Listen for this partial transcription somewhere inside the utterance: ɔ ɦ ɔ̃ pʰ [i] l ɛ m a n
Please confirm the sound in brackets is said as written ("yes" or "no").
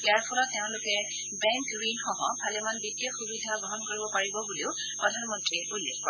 no